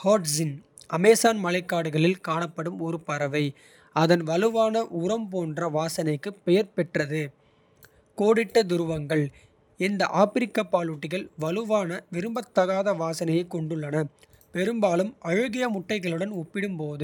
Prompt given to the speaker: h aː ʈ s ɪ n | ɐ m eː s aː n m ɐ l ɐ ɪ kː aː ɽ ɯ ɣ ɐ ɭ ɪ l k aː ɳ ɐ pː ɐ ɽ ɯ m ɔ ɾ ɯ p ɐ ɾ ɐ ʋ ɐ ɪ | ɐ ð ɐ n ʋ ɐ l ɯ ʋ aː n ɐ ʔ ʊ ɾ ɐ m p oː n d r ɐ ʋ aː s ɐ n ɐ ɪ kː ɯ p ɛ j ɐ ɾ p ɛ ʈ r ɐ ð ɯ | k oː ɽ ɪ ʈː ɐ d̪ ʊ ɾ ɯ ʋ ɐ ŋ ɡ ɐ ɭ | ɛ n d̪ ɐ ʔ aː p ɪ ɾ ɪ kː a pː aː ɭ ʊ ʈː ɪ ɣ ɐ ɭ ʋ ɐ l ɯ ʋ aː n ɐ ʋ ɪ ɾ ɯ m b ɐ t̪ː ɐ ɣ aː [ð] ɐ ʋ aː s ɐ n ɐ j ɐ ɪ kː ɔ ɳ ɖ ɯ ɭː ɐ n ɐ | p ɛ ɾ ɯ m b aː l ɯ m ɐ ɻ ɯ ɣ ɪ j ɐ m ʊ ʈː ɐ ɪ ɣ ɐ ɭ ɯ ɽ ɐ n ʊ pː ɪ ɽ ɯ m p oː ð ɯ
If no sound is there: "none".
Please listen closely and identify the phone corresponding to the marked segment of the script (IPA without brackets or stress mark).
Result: ð